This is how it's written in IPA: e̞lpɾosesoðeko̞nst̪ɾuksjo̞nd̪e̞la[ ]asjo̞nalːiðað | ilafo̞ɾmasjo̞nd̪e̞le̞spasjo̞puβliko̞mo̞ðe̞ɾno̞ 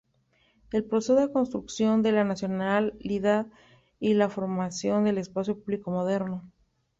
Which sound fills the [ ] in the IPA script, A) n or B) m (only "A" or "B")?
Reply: A